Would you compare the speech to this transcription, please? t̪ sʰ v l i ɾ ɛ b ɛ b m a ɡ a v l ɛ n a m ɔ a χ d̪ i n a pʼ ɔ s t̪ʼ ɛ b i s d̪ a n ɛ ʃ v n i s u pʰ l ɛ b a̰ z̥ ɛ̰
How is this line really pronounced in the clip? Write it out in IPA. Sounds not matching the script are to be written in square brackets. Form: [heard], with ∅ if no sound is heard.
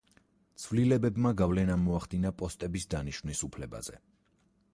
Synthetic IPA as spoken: t̪ sʰ v l i [l] ɛ b ɛ b m a ɡ a v l ɛ n a m ɔ a χ d̪ i n a pʼ ɔ s t̪ʼ ɛ b i s d̪ a n [i] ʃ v n i s u pʰ l ɛ b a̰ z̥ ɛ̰